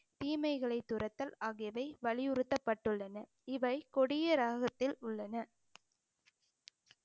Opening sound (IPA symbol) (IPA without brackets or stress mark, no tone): t̪